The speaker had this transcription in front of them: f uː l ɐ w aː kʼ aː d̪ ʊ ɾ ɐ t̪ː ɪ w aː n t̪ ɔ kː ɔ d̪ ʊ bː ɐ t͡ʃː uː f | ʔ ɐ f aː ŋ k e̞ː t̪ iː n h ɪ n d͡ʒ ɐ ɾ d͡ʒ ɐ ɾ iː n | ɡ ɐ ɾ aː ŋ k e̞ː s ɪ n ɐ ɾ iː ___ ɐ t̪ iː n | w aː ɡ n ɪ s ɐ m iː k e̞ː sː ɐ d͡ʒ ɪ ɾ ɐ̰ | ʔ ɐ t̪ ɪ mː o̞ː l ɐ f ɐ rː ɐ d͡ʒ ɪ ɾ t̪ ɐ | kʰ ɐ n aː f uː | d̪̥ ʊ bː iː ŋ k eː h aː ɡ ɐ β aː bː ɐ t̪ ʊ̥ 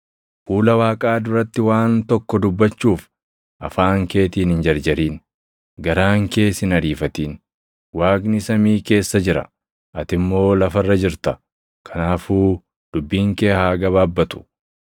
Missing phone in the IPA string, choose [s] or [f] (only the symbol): f